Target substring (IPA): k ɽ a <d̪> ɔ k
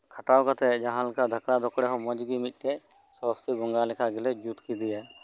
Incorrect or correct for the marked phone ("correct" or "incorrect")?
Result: correct